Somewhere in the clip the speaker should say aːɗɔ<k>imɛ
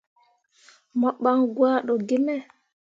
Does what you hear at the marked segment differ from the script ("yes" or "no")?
yes